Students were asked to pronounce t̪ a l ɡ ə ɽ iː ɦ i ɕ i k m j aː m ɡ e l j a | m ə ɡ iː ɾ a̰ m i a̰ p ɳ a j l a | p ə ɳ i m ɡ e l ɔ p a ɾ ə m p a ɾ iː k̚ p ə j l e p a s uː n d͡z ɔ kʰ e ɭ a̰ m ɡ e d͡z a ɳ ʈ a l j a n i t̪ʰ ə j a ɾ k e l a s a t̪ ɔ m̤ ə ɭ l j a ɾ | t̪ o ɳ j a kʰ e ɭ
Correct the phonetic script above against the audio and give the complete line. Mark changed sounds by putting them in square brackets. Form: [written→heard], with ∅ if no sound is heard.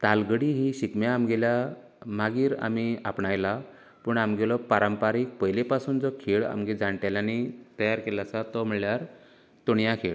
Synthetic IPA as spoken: t̪ a l ɡ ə ɽ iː ɦ i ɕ i k m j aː m ɡ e l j a | m [ə→a] ɡ iː ɾ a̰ m i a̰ p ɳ a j l a | p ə ɳ [i→a] m ɡ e l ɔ p a ɾ ə m p a ɾ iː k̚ p ə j l e p a s uː n d͡z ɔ kʰ e ɭ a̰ m ɡ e d͡z a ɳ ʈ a l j a n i [t̪ʰ→t̪] ə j a ɾ k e l a s a t̪ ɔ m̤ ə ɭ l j a ɾ | t̪ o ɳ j a kʰ e ɭ